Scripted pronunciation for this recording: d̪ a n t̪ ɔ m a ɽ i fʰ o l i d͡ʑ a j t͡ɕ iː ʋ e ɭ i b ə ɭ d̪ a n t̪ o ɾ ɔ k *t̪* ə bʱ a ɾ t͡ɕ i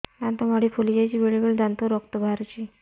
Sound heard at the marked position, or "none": t̪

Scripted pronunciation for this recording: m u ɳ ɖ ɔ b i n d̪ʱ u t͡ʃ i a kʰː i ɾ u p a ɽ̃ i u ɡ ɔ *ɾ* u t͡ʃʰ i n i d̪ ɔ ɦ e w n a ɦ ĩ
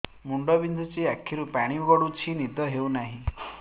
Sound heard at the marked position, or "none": ɽ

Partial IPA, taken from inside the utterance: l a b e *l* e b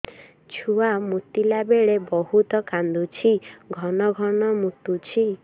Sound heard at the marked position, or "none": ɭ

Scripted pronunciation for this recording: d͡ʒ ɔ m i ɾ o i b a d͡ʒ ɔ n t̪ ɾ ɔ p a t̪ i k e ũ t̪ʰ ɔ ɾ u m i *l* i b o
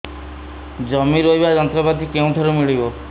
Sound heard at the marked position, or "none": ɭ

